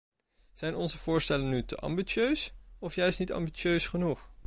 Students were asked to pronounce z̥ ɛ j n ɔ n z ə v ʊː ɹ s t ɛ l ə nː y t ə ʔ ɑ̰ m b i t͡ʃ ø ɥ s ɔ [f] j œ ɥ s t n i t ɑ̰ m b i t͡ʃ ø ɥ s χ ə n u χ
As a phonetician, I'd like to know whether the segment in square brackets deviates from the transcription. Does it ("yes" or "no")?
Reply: no